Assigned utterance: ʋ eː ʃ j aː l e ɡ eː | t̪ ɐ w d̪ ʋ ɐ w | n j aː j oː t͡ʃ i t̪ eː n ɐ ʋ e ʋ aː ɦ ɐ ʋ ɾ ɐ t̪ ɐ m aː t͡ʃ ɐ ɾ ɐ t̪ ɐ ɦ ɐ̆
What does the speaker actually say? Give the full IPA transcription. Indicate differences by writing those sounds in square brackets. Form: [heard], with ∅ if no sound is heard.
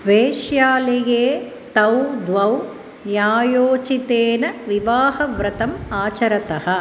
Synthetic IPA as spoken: ʋ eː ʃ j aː l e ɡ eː | t̪ ɐ w d̪ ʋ ɐ w | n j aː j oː t͡ʃ i t̪ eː n ɐ ʋ [i] ʋ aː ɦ ɐ ʋ ɾ ɐ t̪ ɐ m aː t͡ʃ ɐ ɾ ɐ t̪ ɐ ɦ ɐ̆